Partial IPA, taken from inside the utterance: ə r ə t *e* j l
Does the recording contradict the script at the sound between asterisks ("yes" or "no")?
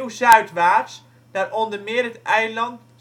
yes